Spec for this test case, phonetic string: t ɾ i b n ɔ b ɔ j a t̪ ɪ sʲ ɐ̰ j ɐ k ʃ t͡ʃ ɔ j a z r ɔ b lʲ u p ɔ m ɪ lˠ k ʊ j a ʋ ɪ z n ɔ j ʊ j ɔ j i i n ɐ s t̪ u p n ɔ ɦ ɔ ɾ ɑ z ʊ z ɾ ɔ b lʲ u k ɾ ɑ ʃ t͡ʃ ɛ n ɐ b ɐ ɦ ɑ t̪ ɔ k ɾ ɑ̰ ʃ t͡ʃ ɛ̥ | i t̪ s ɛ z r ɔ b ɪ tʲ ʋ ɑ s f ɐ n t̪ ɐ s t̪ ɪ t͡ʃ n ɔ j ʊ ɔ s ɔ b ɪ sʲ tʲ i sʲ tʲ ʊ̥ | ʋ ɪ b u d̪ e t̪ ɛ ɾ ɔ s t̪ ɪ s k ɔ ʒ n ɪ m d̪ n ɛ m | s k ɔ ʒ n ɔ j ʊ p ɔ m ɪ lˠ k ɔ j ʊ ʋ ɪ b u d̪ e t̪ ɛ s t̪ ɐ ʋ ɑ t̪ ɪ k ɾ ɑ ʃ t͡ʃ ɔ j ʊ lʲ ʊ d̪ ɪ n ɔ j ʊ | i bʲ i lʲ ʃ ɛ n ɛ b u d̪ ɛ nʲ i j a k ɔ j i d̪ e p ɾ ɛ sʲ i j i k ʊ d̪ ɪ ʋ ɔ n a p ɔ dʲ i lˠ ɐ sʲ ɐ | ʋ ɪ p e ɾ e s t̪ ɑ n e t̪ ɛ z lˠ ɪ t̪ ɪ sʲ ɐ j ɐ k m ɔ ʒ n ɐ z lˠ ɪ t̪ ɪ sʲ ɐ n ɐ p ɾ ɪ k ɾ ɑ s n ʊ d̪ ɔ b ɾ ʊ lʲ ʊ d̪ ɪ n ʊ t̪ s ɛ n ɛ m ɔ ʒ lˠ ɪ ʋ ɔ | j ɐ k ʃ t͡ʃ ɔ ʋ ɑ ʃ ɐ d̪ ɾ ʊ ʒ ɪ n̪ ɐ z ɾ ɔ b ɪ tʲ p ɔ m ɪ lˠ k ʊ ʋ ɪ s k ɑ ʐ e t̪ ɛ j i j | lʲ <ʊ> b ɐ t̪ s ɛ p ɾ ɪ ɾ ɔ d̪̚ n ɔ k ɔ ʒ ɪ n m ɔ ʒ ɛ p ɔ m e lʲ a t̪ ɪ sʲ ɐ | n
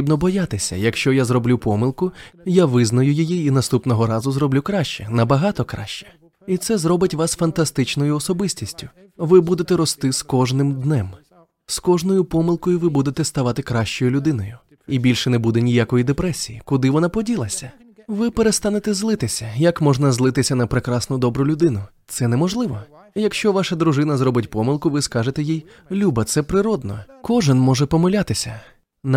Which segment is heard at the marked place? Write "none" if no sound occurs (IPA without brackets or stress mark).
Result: u